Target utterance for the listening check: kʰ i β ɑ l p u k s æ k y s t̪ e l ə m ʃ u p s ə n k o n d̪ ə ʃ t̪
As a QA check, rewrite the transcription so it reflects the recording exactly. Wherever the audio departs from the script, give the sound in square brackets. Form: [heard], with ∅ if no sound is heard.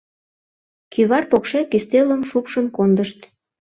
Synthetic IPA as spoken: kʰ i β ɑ [r] p [o] k [ʃ] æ k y s t̪ e l ə m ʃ u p [ʃ] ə n k o n d̪ ə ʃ t̪